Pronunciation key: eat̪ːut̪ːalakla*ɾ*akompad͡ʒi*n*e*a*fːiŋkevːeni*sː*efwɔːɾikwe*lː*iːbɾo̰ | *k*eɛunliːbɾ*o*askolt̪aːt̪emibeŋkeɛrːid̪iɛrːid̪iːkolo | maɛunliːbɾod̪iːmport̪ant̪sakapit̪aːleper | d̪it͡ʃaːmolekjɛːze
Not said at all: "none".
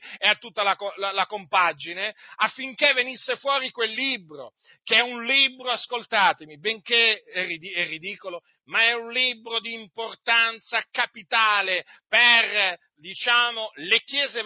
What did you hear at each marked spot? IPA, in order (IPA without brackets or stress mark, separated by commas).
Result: l, n, a, sː, lː, k, o